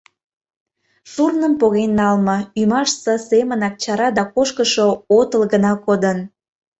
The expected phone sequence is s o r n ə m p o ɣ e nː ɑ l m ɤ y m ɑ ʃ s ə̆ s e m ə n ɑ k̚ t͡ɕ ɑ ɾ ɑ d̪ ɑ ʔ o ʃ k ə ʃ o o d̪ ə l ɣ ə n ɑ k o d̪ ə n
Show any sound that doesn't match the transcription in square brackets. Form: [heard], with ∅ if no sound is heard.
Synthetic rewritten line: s [u] r n ə m p o ɣ e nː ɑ l m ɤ y m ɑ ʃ s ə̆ s e m ə n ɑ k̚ t͡ɕ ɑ ɾ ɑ d̪ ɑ [k] o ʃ k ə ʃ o o [t̪] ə l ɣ ə n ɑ k o d̪ ə n

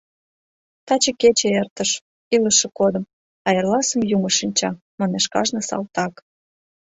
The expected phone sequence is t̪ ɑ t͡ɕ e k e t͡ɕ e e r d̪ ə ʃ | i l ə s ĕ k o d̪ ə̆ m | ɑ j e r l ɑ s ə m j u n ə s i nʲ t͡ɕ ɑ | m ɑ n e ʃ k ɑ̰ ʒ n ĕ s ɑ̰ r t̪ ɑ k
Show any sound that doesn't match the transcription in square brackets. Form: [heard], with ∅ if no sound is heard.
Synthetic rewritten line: t̪ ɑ t͡ɕ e k e t͡ɕ e e r [t̪] ə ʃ | i l ə [ʃ] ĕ k o d̪ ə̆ m | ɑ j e r l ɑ s ə m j u [m] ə [ʃ] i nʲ t͡ɕ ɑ | m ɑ n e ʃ k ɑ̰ ʒ n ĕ s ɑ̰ [l] t̪ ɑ k

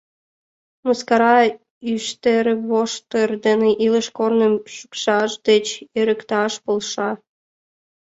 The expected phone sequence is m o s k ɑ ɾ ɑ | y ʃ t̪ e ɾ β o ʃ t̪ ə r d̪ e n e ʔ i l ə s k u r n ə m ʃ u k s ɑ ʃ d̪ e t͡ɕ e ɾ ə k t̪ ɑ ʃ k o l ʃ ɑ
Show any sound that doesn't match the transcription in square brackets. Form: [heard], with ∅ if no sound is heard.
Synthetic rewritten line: m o s k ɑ ɾ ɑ | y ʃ t̪ e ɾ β o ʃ t̪ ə r d̪ e n e ʔ i l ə [ʃ] k [o] r n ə m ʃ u k [ʃ] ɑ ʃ d̪ e t͡ɕ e ɾ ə k t̪ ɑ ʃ [p] o l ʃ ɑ

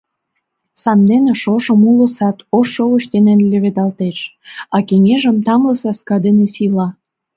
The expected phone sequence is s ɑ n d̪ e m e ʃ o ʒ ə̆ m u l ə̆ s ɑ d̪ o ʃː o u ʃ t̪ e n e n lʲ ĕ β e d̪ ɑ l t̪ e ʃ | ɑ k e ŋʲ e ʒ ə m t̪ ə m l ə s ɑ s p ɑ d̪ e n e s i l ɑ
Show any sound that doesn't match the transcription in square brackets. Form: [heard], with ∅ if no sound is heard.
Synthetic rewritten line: s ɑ n d̪ e [n] e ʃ o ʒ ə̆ m u l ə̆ s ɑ [t̪] o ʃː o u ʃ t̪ e n e n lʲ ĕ β e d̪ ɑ l t̪ e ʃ | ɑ k e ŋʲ e ʒ ə m t̪ [ɑ] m l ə s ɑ s [k] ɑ d̪ e n e s i l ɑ

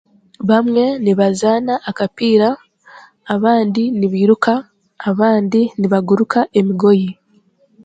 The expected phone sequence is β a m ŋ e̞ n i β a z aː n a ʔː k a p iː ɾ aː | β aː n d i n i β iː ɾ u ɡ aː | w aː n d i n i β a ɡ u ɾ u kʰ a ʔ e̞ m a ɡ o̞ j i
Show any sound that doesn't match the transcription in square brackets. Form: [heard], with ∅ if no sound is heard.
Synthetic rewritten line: β a m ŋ e̞ n i β a z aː n a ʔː k a p iː ɾ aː | β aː n d i n i β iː ɾ u [k] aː | [β] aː n d i n i β a ɡ u ɾ u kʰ a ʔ e̞ m [i] ɡ o̞ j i

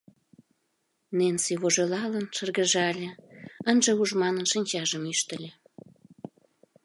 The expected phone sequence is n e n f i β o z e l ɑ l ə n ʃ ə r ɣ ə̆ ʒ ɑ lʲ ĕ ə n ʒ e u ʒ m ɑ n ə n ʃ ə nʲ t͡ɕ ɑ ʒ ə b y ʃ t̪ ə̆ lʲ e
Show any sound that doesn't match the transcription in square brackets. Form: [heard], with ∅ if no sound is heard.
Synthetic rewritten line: n e n [s] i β o [ʒ] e l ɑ l ə n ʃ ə r ɣ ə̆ ʒ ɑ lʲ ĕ ə n ʒ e u ʒ m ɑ n ə n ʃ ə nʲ t͡ɕ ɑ ʒ ə [m] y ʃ t̪ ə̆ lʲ e

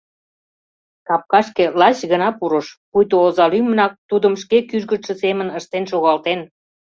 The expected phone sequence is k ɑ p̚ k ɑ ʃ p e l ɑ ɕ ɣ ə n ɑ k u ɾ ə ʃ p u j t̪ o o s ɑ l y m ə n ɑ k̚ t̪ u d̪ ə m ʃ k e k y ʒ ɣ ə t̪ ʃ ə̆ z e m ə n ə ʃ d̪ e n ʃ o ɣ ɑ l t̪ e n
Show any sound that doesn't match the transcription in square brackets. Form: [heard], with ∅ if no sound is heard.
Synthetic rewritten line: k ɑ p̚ k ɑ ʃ [k] e l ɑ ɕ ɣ ə n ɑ [p] u ɾ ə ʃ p u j t̪ o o [z] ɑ l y m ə n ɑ k̚ t̪ u d̪ ə m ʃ k e k y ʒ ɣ ə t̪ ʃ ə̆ [s] e m ə n ə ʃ [t̪] e n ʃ o ɣ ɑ l t̪ e n

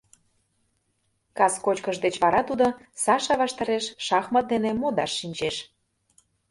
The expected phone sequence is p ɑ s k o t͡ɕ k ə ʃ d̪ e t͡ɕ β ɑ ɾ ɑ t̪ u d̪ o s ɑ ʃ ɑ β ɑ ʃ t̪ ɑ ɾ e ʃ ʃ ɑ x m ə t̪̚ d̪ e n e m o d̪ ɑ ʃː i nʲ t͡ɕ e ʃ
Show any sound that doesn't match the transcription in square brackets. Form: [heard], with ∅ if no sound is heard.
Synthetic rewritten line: [k] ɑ s k o t͡ɕ k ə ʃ d̪ e t͡ɕ β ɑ ɾ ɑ t̪ u d̪ o s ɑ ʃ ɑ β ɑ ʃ t̪ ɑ ɾ e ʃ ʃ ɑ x m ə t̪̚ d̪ e n e m o d̪ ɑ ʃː i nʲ t͡ɕ e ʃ

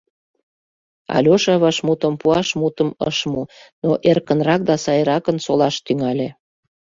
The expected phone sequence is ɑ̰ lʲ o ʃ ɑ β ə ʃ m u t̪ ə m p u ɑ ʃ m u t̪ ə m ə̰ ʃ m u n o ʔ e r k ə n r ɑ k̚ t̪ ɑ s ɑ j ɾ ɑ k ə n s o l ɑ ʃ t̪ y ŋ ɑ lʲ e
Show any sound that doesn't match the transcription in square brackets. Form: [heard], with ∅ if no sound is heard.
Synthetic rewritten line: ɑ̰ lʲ o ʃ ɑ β [ɑ] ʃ m u t̪ ə m p u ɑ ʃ m u t̪ ə m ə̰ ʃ m u n o ʔ e r k ə n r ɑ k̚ [d̪] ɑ s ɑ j ɾ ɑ k ə n s o l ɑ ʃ t̪ y ŋ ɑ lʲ e

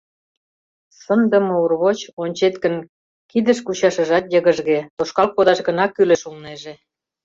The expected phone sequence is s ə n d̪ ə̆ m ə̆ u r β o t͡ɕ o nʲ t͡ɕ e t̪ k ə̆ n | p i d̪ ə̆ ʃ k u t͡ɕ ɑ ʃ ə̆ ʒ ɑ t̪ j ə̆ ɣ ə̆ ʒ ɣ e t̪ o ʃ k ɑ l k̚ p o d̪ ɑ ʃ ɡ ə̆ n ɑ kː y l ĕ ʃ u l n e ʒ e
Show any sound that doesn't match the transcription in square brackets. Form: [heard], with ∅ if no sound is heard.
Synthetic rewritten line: s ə n d̪ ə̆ m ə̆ u r β o t͡ɕ o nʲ t͡ɕ e t̪ k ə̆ n | [k] i d̪ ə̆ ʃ k u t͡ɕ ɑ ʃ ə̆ ʒ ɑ t̪ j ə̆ ɣ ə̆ ʒ ɣ e t̪ o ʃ k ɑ l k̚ p o d̪ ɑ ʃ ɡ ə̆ n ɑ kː y l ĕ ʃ u l n e ʒ e

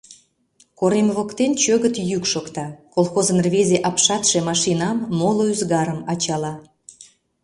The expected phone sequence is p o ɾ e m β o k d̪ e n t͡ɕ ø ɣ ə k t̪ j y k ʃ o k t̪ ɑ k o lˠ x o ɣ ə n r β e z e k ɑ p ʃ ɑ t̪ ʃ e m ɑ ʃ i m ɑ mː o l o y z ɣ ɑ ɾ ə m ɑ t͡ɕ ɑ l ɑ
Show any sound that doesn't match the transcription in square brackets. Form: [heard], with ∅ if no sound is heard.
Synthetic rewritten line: [k] o ɾ e m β o k [t̪] e n t͡ɕ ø ɣ ə [∅] t̪ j y k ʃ o k t̪ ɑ k o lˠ x o [z] ə n r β e z e [ʔ] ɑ p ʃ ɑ t̪ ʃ e m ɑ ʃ i [n] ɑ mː o l o y z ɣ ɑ ɾ ə m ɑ t͡ɕ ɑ l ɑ

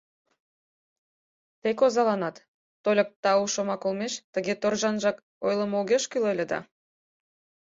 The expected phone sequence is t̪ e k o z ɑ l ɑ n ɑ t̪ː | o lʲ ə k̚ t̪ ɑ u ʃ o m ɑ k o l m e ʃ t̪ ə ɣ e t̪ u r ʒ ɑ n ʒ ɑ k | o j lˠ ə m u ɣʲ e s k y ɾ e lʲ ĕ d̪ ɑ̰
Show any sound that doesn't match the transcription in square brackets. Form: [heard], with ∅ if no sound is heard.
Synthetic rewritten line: t̪ e k o z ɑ l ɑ n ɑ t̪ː | o lʲ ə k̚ t̪ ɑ u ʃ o m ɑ k o l m e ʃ t̪ ə ɣ e t̪ [o] r ʒ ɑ n ʒ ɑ k | o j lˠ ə m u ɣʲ e [ʃ] k y [l] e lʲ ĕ d̪ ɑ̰

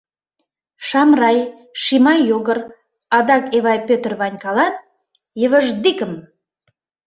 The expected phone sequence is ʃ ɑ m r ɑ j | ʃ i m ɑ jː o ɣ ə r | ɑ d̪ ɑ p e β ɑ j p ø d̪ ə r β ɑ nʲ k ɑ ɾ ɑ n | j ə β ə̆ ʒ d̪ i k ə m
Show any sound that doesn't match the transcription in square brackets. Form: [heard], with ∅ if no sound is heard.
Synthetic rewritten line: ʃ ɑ m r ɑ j | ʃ i m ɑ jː o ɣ ə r | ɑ d̪ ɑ [k] e β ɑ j p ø [t̪] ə r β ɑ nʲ k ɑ [l] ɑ n | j ə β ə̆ ʒ d̪ i k ə m

